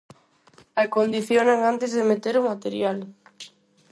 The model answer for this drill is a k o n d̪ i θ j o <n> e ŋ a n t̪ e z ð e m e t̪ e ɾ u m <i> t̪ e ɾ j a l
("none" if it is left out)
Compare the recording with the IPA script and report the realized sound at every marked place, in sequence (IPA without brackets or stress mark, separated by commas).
n, a